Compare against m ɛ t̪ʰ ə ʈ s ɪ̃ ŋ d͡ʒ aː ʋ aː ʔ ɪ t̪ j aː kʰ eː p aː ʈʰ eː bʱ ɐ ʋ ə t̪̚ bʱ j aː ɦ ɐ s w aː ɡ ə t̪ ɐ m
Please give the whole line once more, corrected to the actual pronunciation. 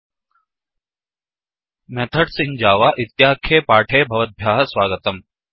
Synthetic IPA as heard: m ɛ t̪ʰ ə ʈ s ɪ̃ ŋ d͡ʒ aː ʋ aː ʔ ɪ t̪ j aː kʰ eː p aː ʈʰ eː bʱ ɐ ʋ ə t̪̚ bʱ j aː ɦ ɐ s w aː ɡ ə t̪ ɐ m